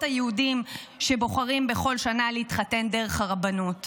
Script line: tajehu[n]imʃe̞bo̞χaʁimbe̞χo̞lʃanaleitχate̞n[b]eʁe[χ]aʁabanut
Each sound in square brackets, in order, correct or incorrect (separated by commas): incorrect, incorrect, correct